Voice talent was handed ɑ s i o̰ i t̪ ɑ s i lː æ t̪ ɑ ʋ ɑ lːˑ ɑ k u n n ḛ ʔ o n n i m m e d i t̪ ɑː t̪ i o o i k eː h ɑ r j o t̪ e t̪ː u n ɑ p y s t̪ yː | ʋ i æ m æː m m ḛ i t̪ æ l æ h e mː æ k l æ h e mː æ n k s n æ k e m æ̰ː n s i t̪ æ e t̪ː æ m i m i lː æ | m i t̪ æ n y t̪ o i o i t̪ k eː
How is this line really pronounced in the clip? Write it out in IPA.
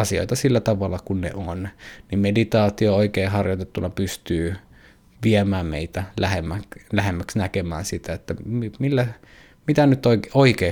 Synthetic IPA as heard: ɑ s i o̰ i t̪ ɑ s i lː æ t̪ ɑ ʋ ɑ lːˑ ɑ k u n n ḛ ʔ o n n i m m e d i t̪ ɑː t̪ i o o i k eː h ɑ r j o t̪ e t̪ː u n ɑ p y s t̪ yː | ʋ i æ m æː m m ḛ i t̪ æ l æ h e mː æ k l æ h e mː æ k s n æ k e m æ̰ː n s i t̪ æ e t̪ː æ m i m i lː æ | m i t̪ æ n y t̪ o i o i k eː